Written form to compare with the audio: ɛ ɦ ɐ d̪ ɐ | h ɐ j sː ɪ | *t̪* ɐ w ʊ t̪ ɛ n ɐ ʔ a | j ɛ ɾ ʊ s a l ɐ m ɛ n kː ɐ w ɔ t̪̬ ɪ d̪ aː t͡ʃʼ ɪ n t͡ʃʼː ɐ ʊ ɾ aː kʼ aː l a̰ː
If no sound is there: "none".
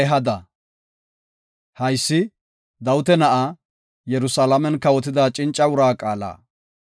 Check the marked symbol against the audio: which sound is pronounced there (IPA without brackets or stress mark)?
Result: d̪